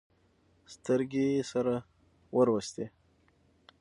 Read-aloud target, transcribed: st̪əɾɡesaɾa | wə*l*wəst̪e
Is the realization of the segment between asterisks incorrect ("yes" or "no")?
yes